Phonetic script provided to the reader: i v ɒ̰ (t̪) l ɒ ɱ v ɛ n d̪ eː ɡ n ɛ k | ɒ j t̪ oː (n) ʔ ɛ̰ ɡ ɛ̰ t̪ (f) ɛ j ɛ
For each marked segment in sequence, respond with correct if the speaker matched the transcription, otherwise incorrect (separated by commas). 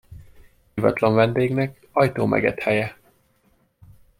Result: correct, incorrect, incorrect